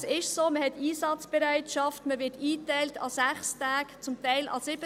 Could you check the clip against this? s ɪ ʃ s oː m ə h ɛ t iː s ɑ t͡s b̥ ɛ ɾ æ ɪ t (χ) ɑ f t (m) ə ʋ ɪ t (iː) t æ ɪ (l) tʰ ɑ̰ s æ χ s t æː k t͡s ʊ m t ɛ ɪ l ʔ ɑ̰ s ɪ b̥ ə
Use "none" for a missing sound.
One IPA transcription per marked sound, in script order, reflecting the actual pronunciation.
ʃ, m, iː, l

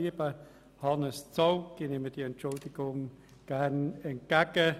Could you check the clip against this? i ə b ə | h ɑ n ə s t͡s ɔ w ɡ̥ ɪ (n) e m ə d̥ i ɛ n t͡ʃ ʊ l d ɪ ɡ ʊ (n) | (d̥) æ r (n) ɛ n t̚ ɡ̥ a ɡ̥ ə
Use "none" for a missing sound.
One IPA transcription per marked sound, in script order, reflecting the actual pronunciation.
n, ŋ, ɡ̥, n

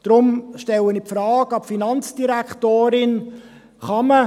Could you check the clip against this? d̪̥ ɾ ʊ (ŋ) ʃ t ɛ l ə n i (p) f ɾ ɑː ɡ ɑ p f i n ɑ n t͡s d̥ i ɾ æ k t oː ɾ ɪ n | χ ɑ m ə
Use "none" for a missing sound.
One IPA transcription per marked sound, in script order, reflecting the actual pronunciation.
m, p

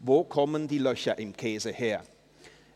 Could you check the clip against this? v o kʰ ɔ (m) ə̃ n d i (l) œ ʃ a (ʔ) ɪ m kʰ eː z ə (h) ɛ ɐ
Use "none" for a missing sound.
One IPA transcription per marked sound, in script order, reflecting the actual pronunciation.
m, l, ʔ, h

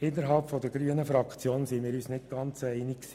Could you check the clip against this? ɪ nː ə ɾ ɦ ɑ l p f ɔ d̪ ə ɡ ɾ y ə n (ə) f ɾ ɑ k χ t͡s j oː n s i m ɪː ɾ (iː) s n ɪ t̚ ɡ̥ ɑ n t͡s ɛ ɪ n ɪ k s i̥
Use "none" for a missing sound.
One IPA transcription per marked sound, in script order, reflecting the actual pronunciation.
ə, yː

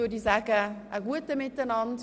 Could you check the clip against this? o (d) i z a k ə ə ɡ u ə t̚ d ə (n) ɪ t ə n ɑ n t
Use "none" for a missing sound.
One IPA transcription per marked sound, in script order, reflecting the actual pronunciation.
d, m

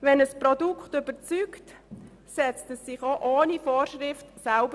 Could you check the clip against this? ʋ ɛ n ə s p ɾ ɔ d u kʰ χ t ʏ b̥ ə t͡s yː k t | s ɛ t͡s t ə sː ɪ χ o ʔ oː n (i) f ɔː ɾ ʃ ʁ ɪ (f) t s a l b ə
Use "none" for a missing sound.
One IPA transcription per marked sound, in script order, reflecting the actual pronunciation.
i, f

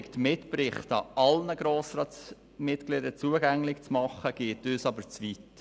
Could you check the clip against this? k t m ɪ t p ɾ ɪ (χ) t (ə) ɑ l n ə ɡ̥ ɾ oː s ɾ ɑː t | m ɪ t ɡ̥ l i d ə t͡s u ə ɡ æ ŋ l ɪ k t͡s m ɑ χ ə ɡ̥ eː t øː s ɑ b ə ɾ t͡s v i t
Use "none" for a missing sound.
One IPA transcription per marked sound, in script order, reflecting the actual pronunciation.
χ, ɑ

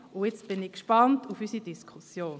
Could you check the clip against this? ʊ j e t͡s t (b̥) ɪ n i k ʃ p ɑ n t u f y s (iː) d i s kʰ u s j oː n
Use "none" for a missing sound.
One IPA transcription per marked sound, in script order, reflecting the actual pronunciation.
b̥, i

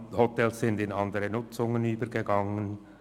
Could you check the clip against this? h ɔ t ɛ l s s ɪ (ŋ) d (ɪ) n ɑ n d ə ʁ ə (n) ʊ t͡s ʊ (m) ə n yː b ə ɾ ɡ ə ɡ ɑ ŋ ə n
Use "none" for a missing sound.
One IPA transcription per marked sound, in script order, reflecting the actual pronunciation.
n, ɪ, n, ŋ

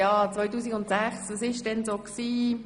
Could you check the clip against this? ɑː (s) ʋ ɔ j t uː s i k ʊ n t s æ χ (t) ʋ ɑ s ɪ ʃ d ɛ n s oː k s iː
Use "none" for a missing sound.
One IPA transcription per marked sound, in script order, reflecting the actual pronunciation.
t͡s, s

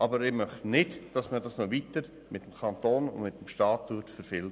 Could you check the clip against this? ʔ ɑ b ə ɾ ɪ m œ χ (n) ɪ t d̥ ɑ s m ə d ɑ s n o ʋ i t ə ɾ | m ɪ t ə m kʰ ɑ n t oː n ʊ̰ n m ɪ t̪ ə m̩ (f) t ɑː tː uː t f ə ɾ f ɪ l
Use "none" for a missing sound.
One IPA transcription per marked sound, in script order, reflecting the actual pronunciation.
n, ʃ

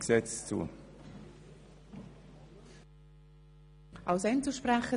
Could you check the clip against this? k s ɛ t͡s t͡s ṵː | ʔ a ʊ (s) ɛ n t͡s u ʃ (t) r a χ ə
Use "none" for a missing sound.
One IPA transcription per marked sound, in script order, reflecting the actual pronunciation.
s, p

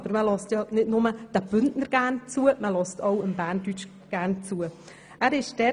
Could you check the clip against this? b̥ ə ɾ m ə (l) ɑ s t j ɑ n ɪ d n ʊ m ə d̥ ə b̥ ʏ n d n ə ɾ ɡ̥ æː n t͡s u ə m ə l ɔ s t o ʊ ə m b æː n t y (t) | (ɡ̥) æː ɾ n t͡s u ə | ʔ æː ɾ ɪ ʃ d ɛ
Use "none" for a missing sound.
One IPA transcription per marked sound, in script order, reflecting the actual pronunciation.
l, t͡ʃ, ɡ̥

